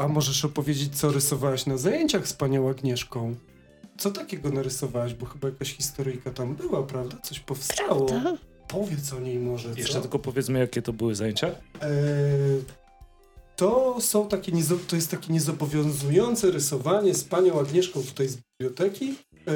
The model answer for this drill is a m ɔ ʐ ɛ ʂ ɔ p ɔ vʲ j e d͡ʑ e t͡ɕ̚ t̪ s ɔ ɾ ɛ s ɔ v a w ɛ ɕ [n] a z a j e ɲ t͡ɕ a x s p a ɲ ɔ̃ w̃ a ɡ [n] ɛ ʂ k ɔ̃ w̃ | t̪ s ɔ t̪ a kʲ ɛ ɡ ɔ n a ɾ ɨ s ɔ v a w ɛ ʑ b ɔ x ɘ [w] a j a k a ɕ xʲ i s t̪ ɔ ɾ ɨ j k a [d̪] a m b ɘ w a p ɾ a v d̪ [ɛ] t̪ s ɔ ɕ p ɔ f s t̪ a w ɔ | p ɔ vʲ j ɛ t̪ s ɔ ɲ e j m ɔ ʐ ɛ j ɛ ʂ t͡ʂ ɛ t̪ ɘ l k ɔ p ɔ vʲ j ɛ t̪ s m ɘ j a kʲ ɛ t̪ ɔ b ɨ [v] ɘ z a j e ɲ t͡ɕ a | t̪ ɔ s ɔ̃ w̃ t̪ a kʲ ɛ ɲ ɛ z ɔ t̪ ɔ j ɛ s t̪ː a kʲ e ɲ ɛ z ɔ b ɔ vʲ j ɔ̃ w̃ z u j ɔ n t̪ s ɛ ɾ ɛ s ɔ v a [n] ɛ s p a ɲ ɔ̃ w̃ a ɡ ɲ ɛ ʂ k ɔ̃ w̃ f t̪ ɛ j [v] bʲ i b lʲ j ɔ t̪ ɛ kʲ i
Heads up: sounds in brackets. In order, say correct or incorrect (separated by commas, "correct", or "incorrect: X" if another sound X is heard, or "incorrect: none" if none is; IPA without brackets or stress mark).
correct, incorrect: ɲ, incorrect: b, incorrect: t̪, incorrect: a, incorrect: w, incorrect: ɲ, incorrect: z